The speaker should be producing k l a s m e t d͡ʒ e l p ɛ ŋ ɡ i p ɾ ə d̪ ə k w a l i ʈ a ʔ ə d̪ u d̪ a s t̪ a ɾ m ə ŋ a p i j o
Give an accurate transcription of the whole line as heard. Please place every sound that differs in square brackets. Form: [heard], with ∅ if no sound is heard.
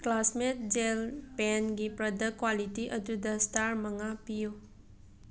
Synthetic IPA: k l a s m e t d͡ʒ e l p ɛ [n] ɡ i p ɾ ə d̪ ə k w a l i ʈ [i] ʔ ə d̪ u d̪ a s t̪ a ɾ m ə ŋ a p i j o